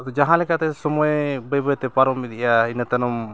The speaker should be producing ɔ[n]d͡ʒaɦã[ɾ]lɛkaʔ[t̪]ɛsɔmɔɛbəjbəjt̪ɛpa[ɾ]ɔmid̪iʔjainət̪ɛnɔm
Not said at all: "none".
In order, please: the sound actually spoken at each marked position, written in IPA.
none, none, t̪, ɾ

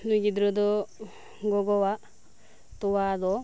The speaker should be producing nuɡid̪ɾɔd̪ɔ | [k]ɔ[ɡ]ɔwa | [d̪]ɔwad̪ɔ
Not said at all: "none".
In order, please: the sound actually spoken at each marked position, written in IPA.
ɡ, ɡ, t̪

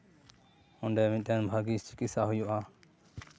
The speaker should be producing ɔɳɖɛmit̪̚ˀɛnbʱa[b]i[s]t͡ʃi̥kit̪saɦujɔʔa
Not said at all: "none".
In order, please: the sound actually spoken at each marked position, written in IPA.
ɡ, s

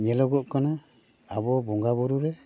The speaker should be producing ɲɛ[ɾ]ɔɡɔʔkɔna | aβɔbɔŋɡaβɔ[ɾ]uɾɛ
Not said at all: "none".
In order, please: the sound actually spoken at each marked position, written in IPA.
l, ɾ

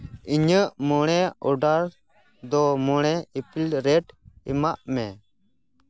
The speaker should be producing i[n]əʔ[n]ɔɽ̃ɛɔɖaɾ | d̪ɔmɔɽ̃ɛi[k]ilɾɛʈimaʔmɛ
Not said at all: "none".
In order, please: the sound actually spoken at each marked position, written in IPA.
ɲ, m, p

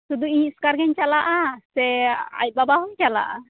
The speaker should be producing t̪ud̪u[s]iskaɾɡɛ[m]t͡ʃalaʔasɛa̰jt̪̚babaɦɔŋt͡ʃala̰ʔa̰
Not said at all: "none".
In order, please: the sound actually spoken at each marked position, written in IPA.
none, ɲ

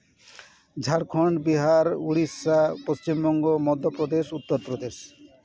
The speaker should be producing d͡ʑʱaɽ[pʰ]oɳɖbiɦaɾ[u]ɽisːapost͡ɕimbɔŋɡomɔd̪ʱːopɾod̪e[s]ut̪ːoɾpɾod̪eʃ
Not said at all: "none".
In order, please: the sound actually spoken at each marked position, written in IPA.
kʰ, u, ʃ

